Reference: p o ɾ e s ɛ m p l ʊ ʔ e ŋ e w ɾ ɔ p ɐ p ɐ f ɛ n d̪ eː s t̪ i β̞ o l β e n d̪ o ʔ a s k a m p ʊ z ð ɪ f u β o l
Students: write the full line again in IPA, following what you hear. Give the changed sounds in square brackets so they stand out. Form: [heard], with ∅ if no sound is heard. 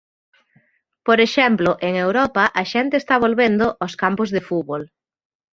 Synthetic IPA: p o ɾ e [ʃ] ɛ m p l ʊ ʔ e ŋ e w ɾ ɔ p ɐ [ʔ] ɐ [ʃ] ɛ n [t̪] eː s t̪ [a] β̞ o l β e n d̪ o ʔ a s k a m p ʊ z ð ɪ f u β o l